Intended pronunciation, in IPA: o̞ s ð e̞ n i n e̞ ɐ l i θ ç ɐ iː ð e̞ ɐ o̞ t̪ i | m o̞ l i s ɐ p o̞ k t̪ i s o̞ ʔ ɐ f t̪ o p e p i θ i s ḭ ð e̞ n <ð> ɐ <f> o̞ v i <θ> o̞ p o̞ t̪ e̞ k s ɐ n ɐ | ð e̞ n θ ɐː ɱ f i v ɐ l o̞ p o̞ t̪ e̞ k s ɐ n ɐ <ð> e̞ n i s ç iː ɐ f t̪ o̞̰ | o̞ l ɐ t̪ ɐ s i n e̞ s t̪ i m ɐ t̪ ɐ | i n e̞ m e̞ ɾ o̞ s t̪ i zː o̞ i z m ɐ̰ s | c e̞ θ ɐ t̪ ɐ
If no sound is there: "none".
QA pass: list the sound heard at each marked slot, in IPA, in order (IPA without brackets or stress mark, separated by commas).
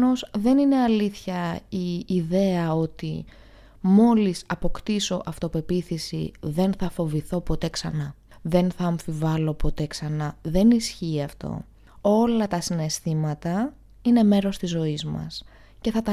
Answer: θ, f, θ, ð